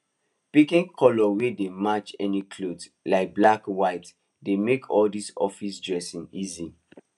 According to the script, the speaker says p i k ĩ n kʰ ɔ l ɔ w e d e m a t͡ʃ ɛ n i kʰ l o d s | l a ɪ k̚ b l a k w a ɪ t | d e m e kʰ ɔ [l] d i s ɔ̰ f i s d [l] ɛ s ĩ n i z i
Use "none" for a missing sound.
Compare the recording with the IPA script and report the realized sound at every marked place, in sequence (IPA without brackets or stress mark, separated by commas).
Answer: l, ɹ